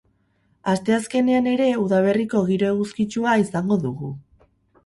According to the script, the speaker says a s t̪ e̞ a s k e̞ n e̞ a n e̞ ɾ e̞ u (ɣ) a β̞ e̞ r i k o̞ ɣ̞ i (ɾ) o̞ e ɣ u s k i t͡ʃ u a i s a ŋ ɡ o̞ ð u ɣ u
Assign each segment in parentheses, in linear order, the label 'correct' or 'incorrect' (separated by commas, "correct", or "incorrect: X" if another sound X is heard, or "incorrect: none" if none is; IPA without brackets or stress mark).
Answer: incorrect: ð, correct